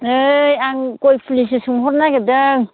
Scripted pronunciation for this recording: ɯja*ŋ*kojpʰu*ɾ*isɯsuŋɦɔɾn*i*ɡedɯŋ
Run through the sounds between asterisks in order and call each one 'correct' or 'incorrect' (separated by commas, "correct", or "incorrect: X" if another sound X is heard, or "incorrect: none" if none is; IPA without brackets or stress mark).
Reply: correct, incorrect: l, incorrect: a